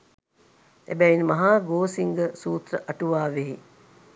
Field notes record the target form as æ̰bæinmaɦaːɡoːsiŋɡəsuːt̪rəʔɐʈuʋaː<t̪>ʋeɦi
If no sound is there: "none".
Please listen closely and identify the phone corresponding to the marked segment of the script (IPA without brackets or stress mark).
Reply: none